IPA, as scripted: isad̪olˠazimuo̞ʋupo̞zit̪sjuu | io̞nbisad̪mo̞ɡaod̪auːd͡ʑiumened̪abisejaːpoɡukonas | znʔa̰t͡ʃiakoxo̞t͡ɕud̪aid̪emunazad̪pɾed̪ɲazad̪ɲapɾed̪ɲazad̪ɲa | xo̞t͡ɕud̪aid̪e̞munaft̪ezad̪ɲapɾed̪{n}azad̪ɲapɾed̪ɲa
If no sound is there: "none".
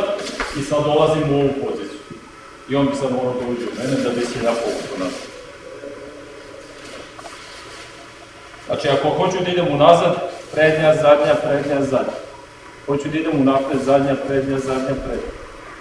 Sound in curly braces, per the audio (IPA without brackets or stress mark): ɲ